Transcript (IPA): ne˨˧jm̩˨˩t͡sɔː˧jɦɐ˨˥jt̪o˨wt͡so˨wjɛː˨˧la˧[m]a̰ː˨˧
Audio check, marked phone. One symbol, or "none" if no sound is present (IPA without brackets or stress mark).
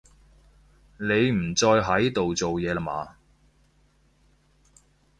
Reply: m